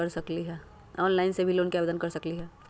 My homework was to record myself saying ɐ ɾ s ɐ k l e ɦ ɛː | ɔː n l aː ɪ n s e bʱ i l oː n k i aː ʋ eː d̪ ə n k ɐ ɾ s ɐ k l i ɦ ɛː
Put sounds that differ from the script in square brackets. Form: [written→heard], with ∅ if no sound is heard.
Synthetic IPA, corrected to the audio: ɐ ɾ s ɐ k l [e→i] ɦ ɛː | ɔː n l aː ɪ n s e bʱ i l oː n k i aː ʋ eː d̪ ə n k ɐ ɾ s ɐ k l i ɦ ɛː